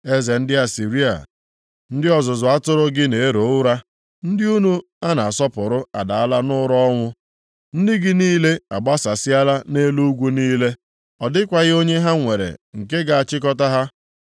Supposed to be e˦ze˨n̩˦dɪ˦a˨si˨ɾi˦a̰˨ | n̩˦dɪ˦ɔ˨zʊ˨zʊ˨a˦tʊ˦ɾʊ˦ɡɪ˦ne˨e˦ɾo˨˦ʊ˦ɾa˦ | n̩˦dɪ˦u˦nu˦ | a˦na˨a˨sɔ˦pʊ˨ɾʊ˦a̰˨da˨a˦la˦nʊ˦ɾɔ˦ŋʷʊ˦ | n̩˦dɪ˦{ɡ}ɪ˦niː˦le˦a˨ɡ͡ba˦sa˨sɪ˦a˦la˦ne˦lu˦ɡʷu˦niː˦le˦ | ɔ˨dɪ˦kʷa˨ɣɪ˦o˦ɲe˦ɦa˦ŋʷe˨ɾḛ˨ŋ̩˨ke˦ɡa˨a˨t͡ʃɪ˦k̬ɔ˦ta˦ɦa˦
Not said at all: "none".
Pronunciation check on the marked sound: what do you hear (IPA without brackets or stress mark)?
ɡ